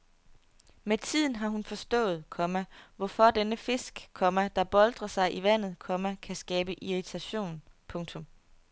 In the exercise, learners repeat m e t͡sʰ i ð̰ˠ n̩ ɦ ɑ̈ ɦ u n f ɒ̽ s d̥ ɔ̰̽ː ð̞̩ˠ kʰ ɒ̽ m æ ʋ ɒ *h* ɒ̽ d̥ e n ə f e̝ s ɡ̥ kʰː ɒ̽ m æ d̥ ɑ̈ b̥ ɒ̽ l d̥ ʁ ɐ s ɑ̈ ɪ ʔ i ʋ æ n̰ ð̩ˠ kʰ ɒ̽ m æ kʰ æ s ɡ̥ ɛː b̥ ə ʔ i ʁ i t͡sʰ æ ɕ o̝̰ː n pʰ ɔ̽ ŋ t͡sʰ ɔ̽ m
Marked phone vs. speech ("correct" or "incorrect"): incorrect